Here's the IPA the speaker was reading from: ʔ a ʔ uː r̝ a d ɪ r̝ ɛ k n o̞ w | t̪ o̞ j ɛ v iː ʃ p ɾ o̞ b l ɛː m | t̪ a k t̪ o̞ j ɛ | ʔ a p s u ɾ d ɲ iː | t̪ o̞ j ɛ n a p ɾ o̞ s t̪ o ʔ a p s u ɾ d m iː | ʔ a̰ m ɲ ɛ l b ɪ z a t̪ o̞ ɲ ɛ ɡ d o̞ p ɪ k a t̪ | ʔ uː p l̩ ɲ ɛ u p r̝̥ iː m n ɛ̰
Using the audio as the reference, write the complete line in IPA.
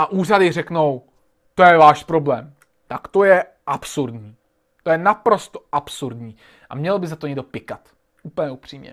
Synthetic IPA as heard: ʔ a ʔ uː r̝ a d ɪ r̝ ɛ k n o̞ w | t̪ o̞ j ɛ v aː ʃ p ɾ o̞ b l ɛː m | t̪ a k t̪ o̞ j ɛ | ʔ a p s u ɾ d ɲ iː | t̪ o̞ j ɛ n a p ɾ o̞ s t̪ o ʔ a p s u ɾ d ɲ iː | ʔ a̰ m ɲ ɛ l b ɪ z a t̪ o̞ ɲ ɛ ɡ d o̞ p ɪ k a t̪ | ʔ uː p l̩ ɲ ɛ u p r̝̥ iː m ɲ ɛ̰